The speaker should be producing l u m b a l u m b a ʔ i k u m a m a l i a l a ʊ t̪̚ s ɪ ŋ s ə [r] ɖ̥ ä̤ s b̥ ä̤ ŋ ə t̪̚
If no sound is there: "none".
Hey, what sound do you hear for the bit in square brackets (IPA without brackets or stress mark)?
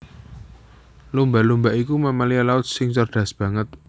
r